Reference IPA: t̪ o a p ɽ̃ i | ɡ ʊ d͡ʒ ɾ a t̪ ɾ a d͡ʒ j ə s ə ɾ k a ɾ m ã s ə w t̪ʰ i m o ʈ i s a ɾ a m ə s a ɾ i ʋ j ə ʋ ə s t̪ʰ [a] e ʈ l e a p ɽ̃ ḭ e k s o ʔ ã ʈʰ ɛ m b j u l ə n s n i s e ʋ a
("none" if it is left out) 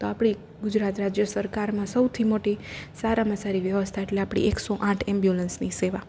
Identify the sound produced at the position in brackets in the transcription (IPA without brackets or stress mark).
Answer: a